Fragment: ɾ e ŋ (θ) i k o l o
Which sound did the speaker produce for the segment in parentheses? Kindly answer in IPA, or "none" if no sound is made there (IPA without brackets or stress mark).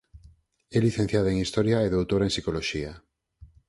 s